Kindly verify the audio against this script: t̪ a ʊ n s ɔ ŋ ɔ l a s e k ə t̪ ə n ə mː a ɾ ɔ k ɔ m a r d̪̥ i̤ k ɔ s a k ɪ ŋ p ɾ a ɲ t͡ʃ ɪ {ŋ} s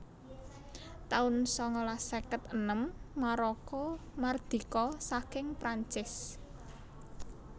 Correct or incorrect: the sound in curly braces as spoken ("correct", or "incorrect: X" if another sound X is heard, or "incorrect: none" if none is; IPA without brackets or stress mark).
incorrect: none